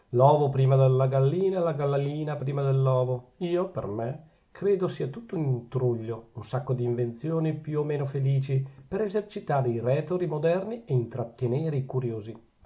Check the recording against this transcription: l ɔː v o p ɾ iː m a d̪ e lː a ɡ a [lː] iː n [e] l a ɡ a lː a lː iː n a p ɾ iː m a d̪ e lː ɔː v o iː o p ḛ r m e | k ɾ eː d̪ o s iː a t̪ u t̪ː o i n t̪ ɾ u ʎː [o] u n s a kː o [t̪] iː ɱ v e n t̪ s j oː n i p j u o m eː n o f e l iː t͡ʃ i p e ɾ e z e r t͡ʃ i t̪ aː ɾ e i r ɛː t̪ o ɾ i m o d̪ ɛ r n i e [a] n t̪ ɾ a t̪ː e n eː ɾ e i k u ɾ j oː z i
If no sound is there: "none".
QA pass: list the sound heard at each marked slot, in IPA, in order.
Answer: lː, a, o, d̪, i

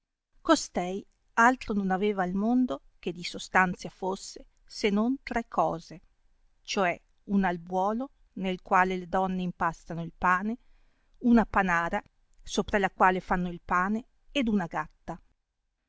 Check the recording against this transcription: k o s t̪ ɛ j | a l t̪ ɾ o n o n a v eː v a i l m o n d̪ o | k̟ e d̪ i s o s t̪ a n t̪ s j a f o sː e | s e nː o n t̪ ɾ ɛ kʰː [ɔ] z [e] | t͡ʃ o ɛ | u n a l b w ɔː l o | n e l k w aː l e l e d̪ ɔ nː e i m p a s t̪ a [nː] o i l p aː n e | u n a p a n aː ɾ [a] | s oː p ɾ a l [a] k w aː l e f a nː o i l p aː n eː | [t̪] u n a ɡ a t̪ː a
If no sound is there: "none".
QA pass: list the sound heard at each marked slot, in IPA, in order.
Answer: ɔː, e, n, a, a, d̪

